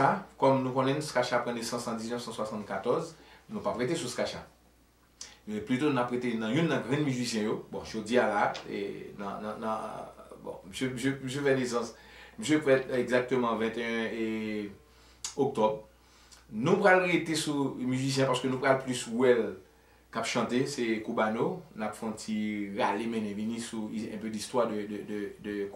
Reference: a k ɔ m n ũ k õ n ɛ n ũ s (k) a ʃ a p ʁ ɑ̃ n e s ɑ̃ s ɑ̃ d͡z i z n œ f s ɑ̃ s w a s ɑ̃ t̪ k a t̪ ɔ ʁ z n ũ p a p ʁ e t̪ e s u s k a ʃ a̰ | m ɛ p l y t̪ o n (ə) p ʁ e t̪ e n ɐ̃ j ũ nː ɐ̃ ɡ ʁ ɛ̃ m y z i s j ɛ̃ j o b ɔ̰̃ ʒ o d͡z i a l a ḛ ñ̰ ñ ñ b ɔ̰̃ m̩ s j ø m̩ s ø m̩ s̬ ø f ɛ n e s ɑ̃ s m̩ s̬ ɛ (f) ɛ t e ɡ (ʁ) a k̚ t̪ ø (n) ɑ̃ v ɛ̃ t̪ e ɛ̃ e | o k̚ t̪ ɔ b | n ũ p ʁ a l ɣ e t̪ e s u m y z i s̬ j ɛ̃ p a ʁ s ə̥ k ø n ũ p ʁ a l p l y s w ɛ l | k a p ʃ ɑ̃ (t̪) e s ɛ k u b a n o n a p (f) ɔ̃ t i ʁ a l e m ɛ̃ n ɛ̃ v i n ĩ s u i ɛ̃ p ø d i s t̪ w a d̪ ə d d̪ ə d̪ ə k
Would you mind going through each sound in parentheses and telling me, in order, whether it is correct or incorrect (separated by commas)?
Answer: correct, incorrect, correct, incorrect, incorrect, correct, correct